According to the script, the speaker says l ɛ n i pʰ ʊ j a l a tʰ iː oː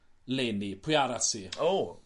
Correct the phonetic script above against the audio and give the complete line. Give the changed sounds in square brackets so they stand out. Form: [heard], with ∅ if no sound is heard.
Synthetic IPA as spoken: l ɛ n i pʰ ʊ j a [ɾ] a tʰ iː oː

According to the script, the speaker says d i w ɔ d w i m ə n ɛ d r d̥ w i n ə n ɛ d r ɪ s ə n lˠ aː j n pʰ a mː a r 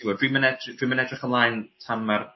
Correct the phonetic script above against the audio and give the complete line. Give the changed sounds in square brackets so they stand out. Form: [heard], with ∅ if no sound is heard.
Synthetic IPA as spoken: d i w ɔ d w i m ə n ɛ d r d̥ w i [m] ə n ɛ d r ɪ [χ] ə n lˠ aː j n [tʰ] a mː a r

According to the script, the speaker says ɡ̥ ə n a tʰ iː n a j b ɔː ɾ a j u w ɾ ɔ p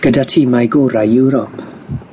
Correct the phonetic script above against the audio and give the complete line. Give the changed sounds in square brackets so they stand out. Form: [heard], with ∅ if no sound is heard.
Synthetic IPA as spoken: ɡ̥ ə [d] a tʰ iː [m] a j [ɡ] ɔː ɾ a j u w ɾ ɔ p

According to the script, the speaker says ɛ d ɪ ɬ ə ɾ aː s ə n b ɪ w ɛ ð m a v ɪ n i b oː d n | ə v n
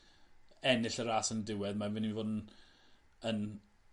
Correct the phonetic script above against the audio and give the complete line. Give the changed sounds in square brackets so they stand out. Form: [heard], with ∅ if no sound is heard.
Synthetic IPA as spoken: ɛ [n] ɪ ɬ ə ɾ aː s ə n [d] ɪ w ɛ ð m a v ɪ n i [v] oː d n | ə [∅] n

